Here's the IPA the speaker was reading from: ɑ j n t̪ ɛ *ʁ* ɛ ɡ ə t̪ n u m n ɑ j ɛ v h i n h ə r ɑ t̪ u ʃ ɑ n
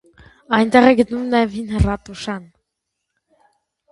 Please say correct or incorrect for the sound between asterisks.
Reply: correct